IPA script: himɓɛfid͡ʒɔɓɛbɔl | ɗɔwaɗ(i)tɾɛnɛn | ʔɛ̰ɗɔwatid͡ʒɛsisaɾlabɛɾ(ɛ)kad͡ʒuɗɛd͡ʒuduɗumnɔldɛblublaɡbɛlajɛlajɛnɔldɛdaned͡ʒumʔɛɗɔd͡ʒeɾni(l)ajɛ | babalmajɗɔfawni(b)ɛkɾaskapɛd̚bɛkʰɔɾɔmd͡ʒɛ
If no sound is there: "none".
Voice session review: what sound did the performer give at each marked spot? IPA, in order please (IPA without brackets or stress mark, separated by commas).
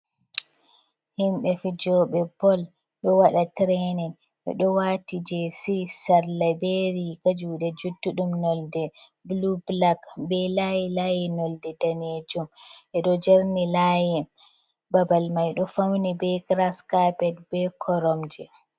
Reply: a, i, l, b